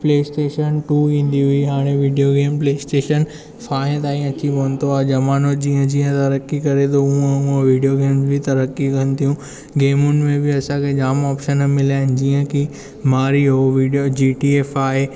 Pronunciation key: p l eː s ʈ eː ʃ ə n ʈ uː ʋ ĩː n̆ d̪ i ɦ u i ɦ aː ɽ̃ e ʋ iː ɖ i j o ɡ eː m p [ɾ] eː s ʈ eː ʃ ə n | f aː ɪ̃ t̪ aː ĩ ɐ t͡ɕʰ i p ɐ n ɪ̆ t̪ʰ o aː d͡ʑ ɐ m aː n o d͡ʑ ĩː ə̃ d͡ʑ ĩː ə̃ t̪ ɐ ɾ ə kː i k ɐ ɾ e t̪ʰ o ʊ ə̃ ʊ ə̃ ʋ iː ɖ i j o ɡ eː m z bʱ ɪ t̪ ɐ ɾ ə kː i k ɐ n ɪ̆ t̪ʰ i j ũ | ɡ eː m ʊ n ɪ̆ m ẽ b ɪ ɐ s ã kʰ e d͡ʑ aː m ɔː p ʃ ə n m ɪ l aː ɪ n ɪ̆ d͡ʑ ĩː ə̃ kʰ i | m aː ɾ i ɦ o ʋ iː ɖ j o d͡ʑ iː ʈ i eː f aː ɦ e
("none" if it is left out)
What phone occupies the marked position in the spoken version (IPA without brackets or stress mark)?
l